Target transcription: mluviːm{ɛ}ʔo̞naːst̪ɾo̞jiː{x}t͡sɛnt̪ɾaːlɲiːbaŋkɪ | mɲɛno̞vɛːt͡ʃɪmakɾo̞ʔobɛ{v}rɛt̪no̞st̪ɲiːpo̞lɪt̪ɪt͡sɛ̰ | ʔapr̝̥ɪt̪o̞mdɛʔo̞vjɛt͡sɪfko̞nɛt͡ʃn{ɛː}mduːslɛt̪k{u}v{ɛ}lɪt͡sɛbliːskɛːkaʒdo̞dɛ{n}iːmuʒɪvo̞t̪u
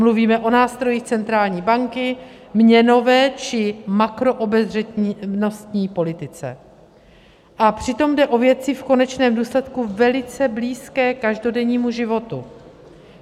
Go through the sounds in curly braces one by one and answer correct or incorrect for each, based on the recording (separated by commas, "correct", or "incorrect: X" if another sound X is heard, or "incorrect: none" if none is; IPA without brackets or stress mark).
correct, correct, incorrect: z, correct, correct, correct, incorrect: ɲ